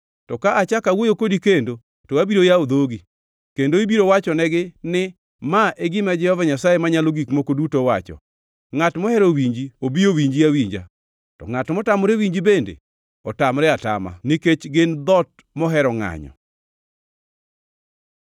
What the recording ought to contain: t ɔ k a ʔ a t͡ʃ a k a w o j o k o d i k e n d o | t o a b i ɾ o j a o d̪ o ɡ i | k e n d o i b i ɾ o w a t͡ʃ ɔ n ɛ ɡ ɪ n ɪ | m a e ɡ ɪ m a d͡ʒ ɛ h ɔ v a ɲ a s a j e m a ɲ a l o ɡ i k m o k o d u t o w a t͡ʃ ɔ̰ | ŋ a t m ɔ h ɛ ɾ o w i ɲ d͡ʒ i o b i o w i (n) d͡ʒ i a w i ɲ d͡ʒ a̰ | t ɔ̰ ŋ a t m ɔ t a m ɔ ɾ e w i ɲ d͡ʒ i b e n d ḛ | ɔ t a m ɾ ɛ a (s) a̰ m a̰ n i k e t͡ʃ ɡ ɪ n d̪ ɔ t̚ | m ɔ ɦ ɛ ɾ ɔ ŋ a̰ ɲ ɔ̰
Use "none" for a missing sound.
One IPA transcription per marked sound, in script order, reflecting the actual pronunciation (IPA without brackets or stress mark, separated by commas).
ɲ, t